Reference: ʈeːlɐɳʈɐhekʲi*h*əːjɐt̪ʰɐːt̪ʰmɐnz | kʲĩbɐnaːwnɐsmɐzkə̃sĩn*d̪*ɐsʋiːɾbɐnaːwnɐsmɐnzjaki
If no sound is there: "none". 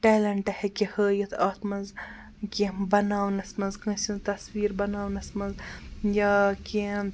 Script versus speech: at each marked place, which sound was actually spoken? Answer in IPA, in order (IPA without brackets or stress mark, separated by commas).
h, t̪